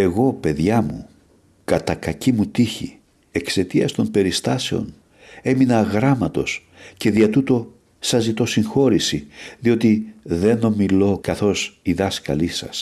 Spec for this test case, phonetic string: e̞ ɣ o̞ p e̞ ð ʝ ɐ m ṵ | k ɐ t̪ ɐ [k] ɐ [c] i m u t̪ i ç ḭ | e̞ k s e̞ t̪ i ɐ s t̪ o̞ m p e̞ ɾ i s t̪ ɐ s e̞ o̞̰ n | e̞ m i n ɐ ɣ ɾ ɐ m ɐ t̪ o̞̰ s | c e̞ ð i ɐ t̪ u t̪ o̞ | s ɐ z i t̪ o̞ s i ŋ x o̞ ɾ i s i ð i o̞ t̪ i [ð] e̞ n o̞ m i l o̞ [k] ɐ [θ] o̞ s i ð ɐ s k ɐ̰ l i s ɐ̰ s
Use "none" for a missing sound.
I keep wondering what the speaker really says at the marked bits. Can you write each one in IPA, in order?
k, c, ð, k, θ

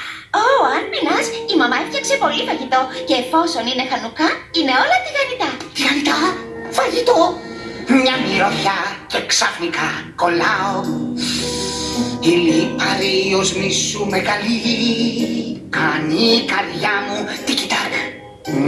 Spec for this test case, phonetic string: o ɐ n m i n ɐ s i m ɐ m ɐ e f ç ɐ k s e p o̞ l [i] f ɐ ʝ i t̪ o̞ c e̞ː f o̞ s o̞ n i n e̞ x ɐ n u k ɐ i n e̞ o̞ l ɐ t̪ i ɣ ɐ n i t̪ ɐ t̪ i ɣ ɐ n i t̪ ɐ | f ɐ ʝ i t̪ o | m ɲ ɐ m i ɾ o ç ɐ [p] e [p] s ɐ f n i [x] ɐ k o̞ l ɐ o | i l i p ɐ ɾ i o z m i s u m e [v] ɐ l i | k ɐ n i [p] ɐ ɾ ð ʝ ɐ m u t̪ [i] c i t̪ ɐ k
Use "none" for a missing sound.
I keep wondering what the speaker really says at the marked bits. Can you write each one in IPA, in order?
i, c, k, k, ɣ, k, i

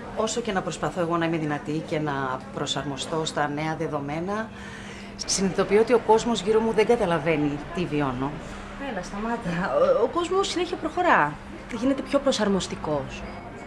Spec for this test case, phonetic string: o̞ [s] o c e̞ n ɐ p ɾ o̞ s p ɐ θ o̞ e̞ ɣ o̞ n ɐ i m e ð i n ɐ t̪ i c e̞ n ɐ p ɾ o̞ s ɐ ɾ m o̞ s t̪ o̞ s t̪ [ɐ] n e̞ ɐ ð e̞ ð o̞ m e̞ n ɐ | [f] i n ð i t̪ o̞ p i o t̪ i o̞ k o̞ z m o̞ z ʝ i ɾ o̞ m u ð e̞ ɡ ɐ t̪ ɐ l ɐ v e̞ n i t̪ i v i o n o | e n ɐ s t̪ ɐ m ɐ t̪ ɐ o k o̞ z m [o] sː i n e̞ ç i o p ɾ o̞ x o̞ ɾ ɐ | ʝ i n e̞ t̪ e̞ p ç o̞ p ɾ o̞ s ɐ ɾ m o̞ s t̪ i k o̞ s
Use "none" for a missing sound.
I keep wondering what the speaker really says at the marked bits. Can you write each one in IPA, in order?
s, ɐ, s, o

